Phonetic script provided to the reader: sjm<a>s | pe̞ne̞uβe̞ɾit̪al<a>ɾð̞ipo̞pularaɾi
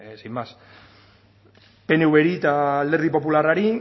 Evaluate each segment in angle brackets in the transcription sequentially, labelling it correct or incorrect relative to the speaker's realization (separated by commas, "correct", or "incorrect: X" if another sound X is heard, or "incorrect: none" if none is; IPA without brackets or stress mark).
correct, incorrect: e